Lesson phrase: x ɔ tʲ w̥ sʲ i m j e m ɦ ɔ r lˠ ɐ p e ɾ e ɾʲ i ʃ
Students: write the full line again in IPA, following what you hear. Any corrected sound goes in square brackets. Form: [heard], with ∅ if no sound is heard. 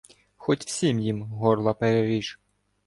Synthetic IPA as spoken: x ɔ tʲ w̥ sʲ i m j [i] m ɦ ɔ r lˠ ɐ p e ɾ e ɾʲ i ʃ